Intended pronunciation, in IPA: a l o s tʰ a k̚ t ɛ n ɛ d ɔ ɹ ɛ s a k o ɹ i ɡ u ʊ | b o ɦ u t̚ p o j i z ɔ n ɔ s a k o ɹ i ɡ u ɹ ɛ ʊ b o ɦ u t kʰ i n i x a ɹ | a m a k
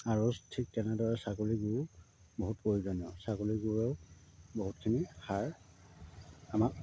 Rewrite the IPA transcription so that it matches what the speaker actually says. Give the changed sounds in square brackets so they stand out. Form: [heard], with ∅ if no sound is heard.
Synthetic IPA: a [ɹ] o s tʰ [i] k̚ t ɛ n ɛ d ɔ ɹ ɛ s a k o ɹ i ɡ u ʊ | b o ɦ u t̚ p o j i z ɔ n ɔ s a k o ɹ i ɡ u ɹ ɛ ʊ b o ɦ u t kʰ i n i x a ɹ | a m a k